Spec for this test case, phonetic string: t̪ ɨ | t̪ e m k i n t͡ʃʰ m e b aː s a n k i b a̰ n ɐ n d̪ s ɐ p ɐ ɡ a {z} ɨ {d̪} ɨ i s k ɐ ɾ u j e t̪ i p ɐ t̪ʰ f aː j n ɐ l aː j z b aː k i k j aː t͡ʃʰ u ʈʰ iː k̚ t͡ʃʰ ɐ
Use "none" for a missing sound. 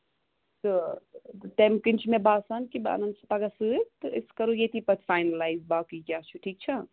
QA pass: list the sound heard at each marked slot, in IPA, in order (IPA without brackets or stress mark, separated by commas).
s, t̪